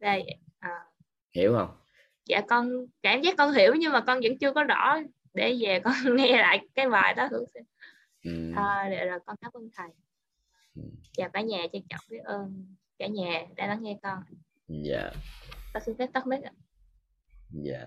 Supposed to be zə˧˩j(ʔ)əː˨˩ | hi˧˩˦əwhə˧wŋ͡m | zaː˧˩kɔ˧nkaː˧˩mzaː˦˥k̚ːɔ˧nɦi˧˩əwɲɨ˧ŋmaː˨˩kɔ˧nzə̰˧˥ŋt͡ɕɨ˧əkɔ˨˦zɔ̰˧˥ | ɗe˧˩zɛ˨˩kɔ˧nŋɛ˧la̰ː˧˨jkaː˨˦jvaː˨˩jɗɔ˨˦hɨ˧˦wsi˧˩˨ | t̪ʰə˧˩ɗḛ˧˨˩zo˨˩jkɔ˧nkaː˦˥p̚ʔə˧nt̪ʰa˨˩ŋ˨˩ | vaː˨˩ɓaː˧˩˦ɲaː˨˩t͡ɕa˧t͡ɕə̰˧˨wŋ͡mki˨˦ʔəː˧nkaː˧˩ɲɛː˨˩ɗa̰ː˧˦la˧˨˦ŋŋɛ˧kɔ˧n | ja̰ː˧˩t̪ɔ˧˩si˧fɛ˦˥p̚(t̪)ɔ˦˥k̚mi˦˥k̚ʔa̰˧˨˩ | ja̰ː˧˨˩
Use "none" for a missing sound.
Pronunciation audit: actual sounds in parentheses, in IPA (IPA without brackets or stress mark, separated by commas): ʔ, t̪